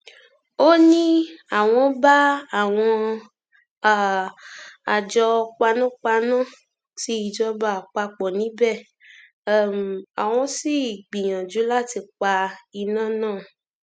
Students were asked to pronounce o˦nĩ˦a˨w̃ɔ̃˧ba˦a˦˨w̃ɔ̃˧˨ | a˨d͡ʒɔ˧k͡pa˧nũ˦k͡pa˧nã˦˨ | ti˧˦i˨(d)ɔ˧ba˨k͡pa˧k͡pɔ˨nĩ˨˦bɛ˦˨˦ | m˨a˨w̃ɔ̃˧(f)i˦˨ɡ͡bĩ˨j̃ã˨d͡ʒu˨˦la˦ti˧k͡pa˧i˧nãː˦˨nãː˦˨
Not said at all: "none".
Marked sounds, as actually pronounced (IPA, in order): d͡ʒ, s

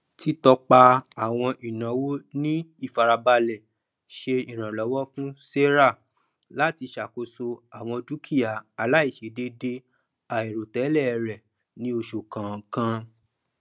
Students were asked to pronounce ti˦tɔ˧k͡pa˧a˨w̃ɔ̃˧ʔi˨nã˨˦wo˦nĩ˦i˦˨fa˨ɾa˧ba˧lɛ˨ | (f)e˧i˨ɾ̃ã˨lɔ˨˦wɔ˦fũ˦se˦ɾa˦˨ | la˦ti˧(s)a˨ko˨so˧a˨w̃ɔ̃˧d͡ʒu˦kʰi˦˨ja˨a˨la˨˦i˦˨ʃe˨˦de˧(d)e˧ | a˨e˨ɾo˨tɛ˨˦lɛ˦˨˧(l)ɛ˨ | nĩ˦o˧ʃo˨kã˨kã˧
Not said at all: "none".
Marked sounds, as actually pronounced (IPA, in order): ʃ, ʃ, d, ɾ

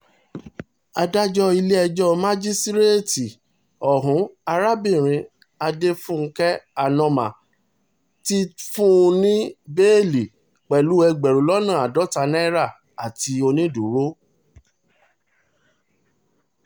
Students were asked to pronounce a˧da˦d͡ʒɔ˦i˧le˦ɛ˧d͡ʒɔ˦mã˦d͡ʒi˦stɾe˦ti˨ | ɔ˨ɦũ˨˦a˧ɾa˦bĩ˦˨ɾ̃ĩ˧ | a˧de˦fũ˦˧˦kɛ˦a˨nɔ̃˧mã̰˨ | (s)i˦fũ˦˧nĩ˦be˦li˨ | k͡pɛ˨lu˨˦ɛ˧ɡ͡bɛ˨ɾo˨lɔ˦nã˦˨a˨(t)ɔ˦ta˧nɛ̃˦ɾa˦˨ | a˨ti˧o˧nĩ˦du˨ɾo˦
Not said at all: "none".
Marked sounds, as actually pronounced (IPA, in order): t, d

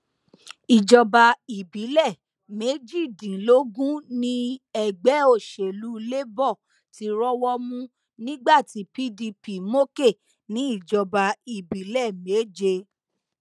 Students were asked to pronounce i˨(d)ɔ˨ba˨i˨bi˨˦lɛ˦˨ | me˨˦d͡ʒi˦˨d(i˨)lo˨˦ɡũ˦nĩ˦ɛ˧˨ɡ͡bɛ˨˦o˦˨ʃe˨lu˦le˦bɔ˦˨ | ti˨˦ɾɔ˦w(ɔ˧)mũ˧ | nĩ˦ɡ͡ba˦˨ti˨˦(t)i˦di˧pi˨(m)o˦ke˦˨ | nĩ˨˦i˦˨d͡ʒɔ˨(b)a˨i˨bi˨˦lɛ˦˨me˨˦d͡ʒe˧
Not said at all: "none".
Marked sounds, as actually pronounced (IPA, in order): d͡ʒ, ĩ˨, ɔ˧, p, m, b

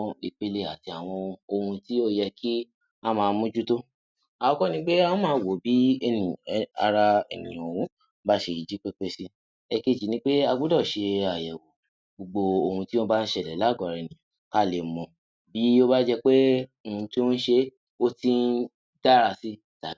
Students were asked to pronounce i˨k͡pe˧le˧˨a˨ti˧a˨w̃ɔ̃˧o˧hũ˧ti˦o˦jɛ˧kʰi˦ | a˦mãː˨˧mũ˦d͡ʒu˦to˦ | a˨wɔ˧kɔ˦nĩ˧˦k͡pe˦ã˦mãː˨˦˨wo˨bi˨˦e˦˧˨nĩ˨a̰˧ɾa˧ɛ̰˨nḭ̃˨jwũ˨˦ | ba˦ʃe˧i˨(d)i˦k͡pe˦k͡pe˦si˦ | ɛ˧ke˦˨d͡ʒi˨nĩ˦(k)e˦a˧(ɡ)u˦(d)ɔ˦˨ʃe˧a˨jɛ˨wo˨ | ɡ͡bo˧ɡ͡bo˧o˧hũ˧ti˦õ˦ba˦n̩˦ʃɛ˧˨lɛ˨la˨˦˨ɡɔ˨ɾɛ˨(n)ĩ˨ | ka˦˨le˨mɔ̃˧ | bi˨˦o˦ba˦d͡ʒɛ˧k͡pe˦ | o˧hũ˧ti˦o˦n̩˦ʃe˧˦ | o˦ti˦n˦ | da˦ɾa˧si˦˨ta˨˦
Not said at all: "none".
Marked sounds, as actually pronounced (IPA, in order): d͡ʒ, k͡p, ɡ, d, n

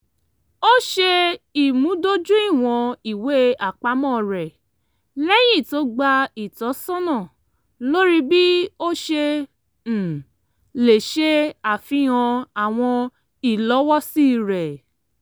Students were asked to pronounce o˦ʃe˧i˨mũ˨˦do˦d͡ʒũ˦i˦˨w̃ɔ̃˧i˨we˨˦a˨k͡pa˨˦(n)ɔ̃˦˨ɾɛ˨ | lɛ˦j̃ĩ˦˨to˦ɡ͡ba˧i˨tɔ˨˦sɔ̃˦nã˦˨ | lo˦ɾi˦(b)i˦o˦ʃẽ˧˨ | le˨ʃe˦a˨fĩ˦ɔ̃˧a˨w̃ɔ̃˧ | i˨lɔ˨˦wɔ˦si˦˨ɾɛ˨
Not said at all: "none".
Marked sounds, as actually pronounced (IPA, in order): m, b

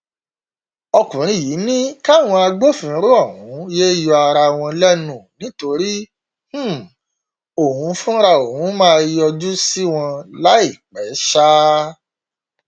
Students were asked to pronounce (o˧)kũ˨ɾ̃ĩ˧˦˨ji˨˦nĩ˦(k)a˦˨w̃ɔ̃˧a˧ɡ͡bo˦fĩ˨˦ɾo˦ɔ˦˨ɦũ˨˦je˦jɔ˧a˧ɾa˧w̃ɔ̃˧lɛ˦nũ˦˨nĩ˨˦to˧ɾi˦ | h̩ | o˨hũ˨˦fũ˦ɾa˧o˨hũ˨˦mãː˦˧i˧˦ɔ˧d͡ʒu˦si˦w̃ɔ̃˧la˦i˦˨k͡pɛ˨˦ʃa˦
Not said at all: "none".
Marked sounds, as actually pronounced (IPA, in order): ɔ˧, k

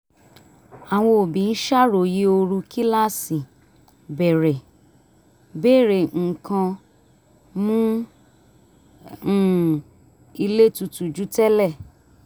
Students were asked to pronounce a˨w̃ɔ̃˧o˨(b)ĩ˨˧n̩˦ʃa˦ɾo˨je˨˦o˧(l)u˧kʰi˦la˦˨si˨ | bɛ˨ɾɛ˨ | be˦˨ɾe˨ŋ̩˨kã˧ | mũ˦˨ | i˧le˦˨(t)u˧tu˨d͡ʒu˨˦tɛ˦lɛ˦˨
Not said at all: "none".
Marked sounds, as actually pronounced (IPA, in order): b, ɾ, t

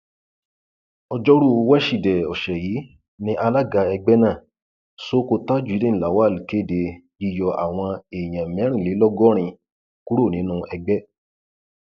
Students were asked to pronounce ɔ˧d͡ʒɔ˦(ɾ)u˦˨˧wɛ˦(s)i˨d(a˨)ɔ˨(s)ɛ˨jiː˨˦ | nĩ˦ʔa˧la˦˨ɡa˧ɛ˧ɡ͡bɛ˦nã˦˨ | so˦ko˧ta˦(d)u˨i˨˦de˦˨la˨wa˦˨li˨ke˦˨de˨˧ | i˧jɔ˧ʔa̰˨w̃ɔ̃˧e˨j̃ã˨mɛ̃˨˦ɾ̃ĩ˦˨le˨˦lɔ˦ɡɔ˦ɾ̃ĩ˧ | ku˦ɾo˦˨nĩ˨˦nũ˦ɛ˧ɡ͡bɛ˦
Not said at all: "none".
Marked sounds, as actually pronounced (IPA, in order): ɾ, ʃ, ɛ˨, ʃ, d͡ʒ

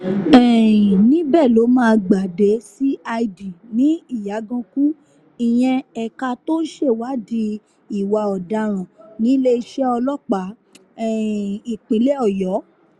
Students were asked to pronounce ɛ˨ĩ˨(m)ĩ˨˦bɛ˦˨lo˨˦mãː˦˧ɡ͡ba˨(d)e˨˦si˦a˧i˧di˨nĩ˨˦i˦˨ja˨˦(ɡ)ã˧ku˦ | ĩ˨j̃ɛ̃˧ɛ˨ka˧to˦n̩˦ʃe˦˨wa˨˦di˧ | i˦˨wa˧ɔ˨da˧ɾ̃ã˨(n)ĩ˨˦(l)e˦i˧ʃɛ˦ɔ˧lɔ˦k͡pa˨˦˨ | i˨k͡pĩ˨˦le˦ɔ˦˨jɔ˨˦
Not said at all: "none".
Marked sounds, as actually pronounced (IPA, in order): n, d, ɡ, n, l

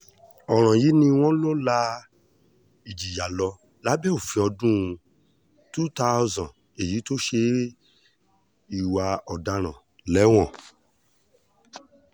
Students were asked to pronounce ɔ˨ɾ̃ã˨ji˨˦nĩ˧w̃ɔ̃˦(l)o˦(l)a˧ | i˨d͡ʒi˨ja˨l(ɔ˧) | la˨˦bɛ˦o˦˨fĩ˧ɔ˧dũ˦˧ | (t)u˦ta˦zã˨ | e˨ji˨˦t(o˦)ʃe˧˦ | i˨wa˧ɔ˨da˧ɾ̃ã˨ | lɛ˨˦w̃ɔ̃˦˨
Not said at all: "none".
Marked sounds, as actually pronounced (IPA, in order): l, l, ɔ˧, t, o˦

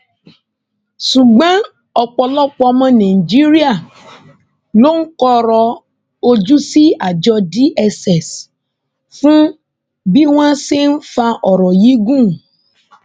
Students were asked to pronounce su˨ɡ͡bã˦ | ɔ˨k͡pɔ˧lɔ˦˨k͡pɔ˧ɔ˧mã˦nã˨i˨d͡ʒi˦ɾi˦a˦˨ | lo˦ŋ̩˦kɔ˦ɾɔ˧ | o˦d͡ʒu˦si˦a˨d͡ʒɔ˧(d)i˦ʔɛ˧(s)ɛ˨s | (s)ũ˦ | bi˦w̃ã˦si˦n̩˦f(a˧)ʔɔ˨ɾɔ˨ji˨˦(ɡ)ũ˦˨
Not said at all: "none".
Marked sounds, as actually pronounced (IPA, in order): d, s, f, a˧, ɡ

